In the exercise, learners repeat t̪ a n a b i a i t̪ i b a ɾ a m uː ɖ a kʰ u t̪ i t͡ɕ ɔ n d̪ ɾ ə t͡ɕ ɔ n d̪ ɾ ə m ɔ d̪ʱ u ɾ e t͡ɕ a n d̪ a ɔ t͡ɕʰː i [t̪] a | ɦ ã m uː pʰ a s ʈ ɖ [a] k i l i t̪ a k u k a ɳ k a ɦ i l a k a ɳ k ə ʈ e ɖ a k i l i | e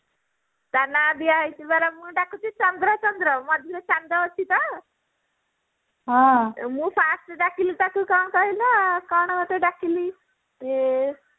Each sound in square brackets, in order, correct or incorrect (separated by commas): correct, correct